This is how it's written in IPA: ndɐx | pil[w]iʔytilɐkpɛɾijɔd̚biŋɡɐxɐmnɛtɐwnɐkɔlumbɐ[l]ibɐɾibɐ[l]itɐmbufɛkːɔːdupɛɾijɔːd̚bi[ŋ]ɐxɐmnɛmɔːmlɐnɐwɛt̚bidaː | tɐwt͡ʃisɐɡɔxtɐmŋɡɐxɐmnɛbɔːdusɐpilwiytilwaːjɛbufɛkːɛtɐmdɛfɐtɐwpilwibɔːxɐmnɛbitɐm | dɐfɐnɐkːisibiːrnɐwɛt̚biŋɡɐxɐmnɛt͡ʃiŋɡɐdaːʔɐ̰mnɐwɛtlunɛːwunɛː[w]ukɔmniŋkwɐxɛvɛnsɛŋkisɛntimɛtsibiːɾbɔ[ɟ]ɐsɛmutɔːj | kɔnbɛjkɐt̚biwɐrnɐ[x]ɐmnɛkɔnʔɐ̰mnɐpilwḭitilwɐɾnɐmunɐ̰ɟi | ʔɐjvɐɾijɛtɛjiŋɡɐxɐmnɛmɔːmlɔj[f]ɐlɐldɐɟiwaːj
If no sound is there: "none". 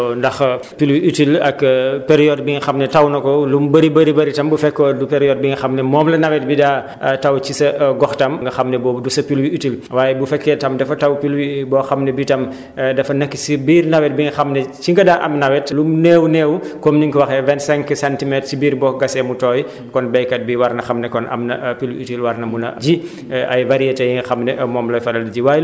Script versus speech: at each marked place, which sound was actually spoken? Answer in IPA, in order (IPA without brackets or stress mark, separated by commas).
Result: w, ɾ, ɾ, ŋ, w, ɡ, x, f